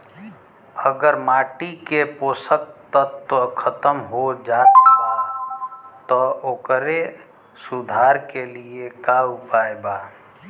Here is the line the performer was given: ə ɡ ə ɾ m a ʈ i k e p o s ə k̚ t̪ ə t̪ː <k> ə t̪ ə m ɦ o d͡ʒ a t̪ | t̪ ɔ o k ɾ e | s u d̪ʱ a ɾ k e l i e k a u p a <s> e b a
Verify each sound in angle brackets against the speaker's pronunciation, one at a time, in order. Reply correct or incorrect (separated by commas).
incorrect, incorrect